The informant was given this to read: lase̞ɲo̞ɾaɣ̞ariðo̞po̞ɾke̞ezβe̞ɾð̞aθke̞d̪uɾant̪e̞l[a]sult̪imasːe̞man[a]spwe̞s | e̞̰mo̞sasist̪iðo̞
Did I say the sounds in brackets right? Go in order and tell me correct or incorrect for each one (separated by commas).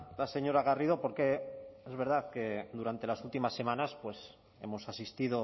correct, correct